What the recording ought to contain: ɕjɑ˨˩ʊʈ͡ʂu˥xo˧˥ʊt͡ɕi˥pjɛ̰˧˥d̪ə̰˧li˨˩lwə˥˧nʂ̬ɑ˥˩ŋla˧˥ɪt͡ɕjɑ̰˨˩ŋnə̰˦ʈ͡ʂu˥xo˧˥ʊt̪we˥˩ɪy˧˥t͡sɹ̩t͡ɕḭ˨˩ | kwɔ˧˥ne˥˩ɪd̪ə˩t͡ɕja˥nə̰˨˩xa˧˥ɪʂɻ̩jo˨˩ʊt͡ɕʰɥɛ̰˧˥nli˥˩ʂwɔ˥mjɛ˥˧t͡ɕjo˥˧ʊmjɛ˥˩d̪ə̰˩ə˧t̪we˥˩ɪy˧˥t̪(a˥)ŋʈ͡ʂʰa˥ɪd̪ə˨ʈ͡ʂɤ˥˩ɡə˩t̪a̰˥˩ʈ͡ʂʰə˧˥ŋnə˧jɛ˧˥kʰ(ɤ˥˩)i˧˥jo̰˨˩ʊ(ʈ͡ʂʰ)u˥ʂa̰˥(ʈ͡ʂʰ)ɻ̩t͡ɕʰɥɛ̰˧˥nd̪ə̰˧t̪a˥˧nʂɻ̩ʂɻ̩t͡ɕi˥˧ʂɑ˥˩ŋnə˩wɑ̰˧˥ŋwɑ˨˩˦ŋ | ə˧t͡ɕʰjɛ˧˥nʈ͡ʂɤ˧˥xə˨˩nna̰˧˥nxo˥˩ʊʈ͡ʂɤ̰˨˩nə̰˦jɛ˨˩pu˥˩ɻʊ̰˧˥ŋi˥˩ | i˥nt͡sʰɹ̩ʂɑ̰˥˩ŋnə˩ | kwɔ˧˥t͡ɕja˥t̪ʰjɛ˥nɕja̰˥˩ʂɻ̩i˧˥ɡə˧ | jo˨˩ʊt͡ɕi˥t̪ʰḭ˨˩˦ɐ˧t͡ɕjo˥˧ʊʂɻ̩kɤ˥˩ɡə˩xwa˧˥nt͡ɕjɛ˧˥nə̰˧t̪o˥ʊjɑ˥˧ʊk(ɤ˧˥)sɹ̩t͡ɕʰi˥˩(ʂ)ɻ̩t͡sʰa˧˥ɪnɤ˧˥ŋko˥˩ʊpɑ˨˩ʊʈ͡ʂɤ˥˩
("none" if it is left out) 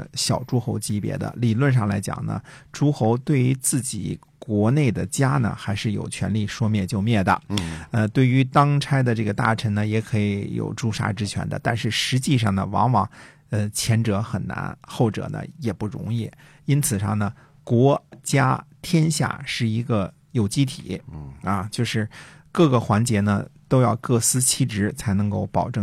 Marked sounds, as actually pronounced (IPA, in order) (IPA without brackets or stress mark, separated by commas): ɑ˥, ɤ˧˥, ʈ͡ʂ, ʈ͡ʂ, ɤ˥˩, ʈ͡ʂ